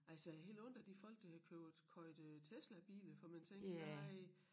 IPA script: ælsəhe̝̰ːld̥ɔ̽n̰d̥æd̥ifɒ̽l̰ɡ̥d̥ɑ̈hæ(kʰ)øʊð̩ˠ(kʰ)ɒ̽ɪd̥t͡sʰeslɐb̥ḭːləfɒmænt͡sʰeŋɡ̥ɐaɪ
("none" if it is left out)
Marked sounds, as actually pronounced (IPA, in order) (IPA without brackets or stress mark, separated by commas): kʰ, kʰ